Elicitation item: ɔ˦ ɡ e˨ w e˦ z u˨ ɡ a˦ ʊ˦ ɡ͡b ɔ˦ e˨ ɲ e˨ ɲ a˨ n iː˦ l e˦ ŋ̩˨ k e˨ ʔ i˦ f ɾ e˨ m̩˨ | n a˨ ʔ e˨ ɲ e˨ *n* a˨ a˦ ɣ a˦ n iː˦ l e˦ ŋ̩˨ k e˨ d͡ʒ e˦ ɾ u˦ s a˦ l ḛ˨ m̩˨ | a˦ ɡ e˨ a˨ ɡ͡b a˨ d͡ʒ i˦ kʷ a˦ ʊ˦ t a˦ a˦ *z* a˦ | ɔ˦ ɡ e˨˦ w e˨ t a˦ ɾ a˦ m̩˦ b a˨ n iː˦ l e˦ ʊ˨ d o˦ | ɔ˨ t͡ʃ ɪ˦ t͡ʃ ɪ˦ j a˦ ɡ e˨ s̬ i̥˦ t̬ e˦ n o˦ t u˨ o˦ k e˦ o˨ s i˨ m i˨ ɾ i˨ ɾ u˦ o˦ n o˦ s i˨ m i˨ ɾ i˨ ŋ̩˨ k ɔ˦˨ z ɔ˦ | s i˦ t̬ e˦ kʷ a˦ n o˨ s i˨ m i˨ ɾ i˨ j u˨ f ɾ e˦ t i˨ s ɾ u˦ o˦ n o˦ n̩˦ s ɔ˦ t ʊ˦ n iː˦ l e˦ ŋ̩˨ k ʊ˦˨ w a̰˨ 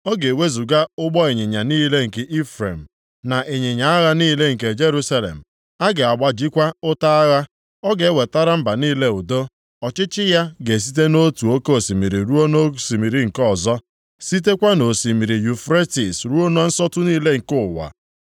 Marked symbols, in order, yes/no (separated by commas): no, no